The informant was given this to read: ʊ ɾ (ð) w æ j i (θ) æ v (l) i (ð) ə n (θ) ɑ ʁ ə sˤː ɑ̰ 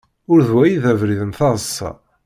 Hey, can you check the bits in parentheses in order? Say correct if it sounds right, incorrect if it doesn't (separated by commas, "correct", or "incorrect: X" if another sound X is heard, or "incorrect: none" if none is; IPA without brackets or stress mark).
correct, incorrect: ð, incorrect: ɾ, correct, correct